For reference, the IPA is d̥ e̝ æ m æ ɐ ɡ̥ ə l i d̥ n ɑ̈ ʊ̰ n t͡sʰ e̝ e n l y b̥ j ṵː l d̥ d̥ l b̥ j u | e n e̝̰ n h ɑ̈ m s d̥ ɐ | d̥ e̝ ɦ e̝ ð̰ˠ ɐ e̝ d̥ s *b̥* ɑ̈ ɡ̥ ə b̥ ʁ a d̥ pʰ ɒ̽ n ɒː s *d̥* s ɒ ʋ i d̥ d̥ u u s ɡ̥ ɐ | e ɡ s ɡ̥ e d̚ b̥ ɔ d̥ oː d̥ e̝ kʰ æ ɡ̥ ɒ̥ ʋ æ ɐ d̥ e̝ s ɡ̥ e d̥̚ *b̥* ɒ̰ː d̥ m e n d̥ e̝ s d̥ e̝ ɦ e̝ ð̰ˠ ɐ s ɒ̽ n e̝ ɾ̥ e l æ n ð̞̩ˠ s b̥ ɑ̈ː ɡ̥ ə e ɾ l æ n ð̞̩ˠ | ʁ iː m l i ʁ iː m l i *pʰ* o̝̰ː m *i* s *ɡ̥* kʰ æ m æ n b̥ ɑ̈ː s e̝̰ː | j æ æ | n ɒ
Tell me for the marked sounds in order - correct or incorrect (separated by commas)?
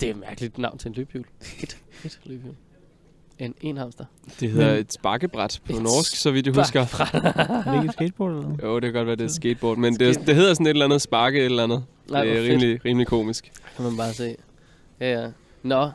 correct, incorrect, correct, incorrect, correct, correct